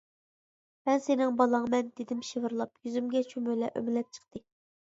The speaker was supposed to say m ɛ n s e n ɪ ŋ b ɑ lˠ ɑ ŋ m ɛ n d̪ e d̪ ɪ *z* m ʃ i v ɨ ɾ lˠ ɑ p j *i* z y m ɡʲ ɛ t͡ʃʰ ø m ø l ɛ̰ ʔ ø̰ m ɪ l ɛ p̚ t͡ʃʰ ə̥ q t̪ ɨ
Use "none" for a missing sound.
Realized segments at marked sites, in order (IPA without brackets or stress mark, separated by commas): none, y